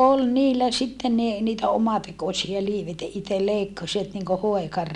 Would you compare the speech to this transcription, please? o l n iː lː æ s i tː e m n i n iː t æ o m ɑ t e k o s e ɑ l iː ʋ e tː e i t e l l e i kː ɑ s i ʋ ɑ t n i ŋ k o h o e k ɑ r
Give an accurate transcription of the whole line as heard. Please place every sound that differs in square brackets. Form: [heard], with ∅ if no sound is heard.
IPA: o l n iː lː æ s i tː e m n i n iː t æ o m ɑ t e k o s [i] ɑ l iː ʋ e tː [æ] i t e l l e i kː ɑ s i ʋ ɑ t n i ŋ k o h o e k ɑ r